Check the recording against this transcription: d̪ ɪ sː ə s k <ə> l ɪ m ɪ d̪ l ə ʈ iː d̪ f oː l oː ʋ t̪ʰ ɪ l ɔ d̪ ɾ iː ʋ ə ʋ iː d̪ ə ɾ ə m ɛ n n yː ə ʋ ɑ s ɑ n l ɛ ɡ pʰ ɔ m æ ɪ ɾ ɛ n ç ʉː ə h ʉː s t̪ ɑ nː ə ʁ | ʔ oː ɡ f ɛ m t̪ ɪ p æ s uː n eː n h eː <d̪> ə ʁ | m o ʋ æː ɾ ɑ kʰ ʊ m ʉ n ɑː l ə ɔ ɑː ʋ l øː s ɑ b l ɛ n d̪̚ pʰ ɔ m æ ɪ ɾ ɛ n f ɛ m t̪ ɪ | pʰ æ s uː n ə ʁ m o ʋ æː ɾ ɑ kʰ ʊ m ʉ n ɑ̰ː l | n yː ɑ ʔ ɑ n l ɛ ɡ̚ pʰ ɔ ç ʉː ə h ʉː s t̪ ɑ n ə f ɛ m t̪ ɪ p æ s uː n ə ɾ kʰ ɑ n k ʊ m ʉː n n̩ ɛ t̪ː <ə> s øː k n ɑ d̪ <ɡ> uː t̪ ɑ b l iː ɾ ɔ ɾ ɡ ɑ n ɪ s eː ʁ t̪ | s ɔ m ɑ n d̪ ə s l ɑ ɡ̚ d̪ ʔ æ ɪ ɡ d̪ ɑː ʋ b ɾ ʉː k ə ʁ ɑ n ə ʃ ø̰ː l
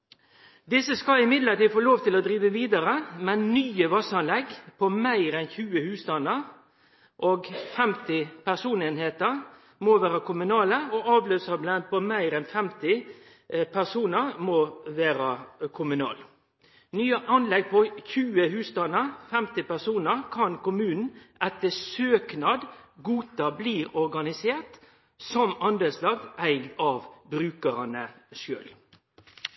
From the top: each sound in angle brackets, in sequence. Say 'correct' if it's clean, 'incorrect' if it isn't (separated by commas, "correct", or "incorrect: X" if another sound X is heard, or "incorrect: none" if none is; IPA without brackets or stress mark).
incorrect: ɑ, incorrect: t̪, correct, correct